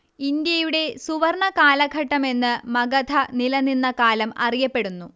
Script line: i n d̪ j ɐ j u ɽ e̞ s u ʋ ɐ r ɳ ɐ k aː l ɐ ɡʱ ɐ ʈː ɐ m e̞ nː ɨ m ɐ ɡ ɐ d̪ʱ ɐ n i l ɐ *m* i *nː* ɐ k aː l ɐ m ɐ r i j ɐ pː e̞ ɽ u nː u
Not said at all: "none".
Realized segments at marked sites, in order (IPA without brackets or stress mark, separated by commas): n, nː